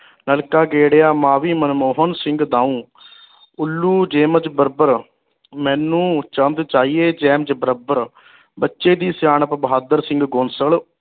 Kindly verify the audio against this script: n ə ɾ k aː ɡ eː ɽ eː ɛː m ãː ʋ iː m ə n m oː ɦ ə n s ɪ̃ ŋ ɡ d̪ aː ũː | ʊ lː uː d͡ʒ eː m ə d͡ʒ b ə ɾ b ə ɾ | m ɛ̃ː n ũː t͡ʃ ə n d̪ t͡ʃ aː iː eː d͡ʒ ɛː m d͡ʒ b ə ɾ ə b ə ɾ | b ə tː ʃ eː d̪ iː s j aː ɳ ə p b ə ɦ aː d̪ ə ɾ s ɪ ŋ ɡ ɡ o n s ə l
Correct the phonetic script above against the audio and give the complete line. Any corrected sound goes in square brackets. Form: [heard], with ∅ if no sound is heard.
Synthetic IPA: n ə [l] k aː ɡ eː ɽ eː [aː] m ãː ʋ iː m ə n m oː ɦ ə n s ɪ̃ ŋ ɡ d̪ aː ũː | ʊ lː uː d͡ʒ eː m ə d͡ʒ b ə ɾ b ə ɾ | m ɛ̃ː n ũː t͡ʃ ə n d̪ t͡ʃ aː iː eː d͡ʒ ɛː m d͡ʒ b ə ɾ ə b ə ɾ | b ə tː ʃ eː d̪ iː s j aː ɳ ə p b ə ɦ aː d̪ ə ɾ s ɪ ŋ ɡ ɡ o n s ə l